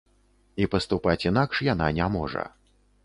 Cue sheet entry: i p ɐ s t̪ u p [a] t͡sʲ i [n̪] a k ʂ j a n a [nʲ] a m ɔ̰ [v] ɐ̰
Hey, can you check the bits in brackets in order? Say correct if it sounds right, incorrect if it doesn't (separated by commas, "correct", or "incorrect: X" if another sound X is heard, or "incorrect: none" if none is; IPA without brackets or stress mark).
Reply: correct, correct, correct, incorrect: ʐ